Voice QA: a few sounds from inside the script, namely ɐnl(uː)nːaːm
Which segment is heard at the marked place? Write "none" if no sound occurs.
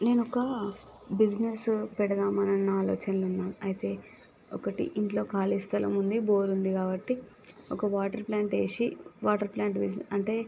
u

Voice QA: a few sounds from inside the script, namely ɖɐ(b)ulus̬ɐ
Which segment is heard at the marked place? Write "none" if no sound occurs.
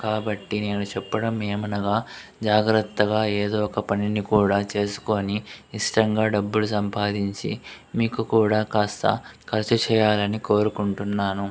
bː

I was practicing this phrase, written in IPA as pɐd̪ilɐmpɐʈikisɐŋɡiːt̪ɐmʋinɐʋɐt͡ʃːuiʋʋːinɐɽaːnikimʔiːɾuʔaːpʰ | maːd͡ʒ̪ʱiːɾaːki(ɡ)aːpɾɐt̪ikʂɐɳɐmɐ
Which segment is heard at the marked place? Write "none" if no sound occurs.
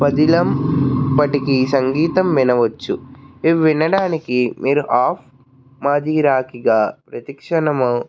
ɡ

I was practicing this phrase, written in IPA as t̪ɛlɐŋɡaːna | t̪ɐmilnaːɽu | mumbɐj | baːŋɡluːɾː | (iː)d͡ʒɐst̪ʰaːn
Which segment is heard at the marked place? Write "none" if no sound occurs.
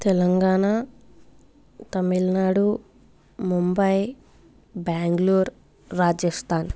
aː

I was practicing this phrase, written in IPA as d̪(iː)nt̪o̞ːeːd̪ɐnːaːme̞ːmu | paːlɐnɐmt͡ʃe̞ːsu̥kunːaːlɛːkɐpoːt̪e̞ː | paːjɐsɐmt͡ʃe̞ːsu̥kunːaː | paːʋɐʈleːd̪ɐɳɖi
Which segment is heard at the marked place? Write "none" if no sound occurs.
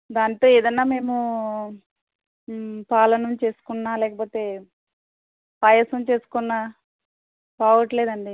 aː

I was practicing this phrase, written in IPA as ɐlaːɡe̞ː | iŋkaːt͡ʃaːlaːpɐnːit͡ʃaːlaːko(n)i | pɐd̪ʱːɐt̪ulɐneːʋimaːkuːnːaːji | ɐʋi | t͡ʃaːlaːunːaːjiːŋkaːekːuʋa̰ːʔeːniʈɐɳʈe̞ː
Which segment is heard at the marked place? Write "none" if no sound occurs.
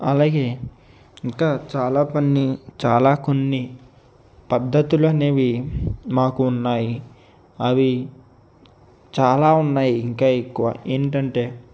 nː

